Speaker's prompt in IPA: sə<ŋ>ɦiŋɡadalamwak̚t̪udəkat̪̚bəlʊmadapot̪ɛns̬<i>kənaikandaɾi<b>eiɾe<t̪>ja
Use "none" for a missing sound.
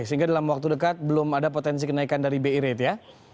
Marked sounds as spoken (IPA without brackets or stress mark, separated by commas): none, i, b, t̪